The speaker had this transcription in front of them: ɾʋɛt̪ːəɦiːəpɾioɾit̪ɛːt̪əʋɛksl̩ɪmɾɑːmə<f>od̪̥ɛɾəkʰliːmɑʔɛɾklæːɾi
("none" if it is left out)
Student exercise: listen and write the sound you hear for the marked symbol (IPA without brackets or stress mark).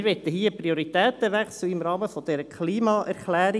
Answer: f